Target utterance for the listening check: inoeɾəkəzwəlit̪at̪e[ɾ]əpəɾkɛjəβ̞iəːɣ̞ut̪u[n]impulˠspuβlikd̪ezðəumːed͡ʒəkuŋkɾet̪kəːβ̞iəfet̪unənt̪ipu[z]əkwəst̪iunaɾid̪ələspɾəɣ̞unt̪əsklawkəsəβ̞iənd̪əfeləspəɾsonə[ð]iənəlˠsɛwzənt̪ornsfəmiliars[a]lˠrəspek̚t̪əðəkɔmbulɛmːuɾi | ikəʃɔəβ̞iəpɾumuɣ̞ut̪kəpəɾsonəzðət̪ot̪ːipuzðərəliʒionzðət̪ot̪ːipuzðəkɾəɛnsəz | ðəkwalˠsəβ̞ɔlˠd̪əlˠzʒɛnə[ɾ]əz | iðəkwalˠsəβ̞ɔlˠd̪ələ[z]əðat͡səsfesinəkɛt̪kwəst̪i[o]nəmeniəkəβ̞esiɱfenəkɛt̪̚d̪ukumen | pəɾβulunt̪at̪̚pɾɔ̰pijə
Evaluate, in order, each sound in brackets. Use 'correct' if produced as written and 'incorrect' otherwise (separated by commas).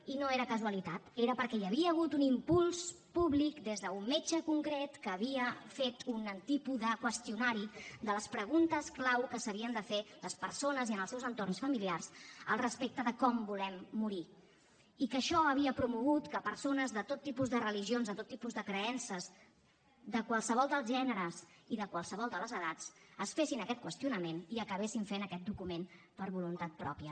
correct, correct, incorrect, incorrect, incorrect, correct, correct, incorrect